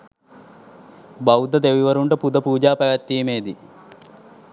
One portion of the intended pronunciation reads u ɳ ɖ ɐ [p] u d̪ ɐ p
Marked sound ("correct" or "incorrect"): correct